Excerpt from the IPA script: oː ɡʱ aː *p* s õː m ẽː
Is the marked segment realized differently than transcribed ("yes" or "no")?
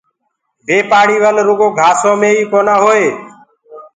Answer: yes